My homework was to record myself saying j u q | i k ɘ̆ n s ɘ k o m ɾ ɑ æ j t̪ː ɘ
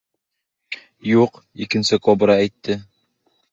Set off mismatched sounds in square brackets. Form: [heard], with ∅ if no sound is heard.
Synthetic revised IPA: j u q | i k ɘ̆ n s ɘ k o [b] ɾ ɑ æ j t̪ː ɘ